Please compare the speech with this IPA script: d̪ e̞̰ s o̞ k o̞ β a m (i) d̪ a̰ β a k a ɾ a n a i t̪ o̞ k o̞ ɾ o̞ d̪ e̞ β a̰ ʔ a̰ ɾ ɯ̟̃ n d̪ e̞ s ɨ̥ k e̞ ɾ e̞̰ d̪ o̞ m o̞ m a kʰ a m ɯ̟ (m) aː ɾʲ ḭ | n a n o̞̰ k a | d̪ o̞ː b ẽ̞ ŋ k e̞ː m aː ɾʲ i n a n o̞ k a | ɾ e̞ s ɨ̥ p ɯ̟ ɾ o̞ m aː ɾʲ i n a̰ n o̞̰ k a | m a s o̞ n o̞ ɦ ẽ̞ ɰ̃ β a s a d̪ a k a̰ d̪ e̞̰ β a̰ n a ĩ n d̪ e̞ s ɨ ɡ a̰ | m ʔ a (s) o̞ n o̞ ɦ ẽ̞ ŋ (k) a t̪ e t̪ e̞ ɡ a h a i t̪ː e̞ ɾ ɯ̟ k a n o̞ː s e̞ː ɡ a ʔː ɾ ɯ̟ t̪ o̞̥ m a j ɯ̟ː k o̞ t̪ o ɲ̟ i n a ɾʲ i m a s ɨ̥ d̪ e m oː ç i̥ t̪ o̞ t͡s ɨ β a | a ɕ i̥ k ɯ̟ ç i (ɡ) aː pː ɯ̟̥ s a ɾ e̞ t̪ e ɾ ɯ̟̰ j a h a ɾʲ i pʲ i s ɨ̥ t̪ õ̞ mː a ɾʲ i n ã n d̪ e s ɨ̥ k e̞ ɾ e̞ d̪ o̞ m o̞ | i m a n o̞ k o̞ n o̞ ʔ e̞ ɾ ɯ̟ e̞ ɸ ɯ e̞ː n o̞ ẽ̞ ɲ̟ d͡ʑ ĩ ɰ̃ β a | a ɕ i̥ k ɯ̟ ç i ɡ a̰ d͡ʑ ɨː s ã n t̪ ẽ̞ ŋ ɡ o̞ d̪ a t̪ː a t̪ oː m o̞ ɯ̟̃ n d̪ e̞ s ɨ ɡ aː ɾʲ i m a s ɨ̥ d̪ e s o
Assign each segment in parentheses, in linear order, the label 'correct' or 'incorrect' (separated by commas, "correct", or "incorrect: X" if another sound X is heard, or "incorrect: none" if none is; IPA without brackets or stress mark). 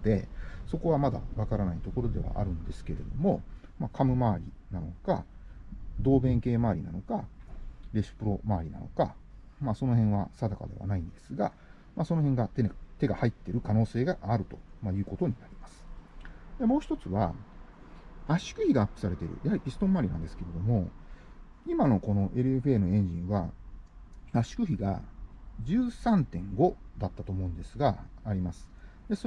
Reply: incorrect: a, correct, correct, incorrect: ɡ, correct